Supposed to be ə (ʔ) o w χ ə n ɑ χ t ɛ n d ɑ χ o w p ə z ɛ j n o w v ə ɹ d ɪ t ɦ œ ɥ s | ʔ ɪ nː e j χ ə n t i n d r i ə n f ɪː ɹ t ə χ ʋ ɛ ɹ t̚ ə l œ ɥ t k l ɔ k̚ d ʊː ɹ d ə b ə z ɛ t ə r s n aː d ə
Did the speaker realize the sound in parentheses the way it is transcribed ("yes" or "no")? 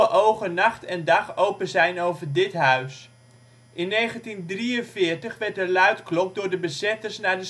yes